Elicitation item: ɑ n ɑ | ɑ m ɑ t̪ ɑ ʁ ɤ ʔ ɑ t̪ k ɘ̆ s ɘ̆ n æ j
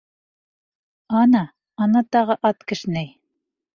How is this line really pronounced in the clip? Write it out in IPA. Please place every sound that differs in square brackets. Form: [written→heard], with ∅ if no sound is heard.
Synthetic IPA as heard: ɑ n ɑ | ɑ [m→n] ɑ t̪ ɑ ʁ ɤ ʔ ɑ t̪ k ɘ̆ [s→ʃ] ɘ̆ n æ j